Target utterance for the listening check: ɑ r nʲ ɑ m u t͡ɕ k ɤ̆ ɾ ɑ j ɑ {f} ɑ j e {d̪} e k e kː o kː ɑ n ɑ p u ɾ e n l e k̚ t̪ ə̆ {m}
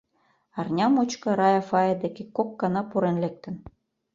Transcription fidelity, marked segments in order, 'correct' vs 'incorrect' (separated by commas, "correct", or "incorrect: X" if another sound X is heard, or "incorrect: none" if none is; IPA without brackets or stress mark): correct, correct, incorrect: n